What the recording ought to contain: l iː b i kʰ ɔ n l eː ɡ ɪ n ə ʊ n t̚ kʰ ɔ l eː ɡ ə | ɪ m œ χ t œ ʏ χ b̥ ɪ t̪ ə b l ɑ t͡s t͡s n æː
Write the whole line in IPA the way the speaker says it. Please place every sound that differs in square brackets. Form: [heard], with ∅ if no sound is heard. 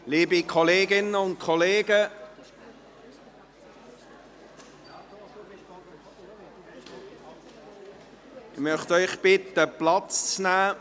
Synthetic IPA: l iː b i kʰ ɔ [∅] l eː ɡ ɪ n ə ʊ n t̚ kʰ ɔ l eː ɡ ə | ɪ m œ χ t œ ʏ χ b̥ ɪ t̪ ə [p] l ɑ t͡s t͡s n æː